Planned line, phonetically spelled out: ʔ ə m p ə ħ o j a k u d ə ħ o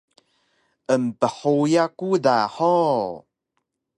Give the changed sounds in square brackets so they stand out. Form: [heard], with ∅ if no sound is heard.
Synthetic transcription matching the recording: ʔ ə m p ə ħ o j a k u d [a] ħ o